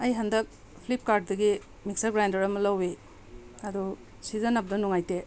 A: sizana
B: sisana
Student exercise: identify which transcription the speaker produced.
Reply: A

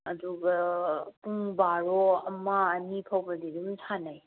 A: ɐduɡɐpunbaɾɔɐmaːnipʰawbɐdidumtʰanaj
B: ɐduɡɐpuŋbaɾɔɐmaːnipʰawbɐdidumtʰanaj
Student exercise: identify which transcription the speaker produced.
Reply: B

